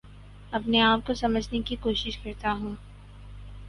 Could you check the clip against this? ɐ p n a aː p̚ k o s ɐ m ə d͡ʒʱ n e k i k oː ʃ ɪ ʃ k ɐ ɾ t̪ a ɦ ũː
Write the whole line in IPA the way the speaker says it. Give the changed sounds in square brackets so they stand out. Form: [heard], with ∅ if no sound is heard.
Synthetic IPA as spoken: ɐ p n [e] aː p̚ k o s ɐ m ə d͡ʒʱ n e k i k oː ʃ ɪ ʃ k ɐ ɾ t̪ a ɦ ũː

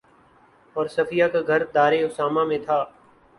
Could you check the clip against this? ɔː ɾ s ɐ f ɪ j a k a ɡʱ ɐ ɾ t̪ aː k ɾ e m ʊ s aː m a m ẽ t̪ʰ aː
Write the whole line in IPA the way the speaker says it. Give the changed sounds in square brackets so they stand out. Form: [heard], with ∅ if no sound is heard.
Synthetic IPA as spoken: ɔː ɾ s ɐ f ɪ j a k a ɡʱ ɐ ɾ [d̪] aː [∅] ɾ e [∅] ʊ s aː m a m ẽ t̪ʰ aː

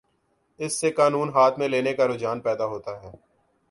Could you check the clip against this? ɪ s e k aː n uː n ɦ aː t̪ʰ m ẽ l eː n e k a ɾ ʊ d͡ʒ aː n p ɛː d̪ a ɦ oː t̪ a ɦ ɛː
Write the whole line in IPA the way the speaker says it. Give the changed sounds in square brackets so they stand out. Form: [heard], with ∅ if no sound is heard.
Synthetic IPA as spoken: ɪ [sː] e k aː n uː n ɦ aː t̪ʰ m ẽ l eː n e k a ɾ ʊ d͡ʒ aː n p ɛː d̪ a ɦ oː t̪ a ɦ ɛː

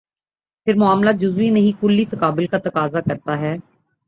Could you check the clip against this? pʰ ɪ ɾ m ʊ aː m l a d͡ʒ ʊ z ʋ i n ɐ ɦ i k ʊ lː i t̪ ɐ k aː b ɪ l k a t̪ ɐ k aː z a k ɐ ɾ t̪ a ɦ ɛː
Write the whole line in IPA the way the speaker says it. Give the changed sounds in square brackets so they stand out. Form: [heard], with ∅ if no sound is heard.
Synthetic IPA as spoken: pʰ ɪ ɾ m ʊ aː m l a d͡ʒ ʊ z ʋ i n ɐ ɦ [ĩ] k ʊ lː i t̪ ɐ k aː b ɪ l k a t̪ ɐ k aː z a k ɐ ɾ t̪ a ɦ ɛː

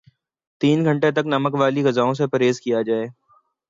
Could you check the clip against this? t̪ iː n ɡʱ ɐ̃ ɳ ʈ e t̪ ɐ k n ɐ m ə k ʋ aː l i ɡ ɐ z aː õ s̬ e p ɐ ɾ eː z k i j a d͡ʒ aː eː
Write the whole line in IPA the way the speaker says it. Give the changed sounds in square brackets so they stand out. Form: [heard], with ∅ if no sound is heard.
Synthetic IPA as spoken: t̪ iː n ɡʱ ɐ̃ ɳ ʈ e t̪ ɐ k n ɐ m ə k ʋ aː l i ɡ ɐ z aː õ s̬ e p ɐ ɾ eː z k i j a d͡ʒ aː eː

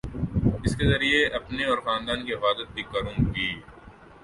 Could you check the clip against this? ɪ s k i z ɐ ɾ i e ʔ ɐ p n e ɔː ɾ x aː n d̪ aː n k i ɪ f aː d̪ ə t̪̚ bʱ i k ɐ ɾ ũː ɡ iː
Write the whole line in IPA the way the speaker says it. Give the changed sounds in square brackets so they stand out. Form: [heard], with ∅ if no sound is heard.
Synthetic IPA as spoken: ɪ s k [e] z ɐ ɾ i e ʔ ɐ p n e ɔː ɾ x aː n d̪ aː n k i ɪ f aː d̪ ə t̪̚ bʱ i k ɐ ɾ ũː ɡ iː

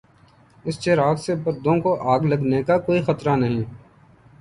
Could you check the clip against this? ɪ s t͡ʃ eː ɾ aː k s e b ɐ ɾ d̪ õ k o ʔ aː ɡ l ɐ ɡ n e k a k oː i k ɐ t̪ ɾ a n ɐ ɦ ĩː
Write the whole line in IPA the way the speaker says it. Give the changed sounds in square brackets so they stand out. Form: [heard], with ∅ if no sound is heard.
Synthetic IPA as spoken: ɪ s t͡ʃ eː ɾ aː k s e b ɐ ɾ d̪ õ k o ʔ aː ɡ l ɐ ɡ n e k a k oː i [x] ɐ t̪ ɾ a n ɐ ɦ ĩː

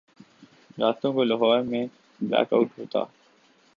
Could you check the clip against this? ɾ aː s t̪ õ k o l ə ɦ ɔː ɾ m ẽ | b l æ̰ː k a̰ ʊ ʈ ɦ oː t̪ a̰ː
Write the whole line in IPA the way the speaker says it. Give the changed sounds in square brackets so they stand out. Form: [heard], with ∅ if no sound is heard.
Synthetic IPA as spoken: ɾ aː s t̪ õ k o l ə ɦ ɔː ɾ m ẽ | b l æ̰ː k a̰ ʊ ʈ ɦ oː t̪ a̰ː

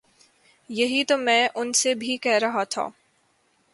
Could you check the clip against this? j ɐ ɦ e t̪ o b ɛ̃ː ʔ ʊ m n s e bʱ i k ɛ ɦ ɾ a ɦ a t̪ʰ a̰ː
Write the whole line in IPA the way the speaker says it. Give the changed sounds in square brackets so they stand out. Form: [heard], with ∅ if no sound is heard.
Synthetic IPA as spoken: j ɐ ɦ [i] t̪ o [m] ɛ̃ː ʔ ʊ [∅] n s e bʱ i k ɛ ɦ ɾ [ɐ] ɦ a t̪ʰ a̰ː

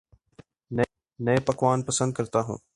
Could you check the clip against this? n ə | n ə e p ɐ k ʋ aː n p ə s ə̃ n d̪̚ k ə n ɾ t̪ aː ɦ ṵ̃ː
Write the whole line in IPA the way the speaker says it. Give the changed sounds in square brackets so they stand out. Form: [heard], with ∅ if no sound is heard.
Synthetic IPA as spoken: n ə | n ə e p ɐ k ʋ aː n p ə s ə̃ n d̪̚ k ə [∅] ɾ t̪ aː ɦ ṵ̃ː

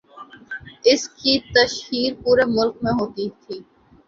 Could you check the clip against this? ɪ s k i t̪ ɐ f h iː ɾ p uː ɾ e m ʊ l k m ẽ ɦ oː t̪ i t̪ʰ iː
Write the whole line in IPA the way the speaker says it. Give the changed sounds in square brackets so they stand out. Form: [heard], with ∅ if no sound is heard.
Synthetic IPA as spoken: ɪ s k i t̪ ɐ [ʃ] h iː ɾ p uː ɾ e m ʊ l k m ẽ ɦ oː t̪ i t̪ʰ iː

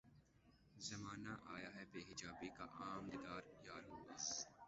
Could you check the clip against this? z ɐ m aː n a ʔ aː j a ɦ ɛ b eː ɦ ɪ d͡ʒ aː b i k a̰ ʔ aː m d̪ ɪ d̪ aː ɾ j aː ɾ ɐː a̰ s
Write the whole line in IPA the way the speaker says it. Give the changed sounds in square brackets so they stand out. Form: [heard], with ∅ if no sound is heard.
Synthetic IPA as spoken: z ɐ m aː n a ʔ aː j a ɦ ɛ b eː ɦ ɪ d͡ʒ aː b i k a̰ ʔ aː m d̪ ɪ d̪ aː ɾ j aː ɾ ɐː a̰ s

